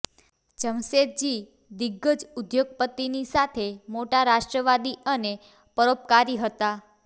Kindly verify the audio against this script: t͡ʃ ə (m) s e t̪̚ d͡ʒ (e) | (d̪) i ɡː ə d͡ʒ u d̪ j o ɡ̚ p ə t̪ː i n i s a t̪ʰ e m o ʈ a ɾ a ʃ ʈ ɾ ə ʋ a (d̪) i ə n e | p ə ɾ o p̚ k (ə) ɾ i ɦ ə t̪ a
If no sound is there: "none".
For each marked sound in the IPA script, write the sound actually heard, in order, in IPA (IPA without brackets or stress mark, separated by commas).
m, i, d̪, d̪, a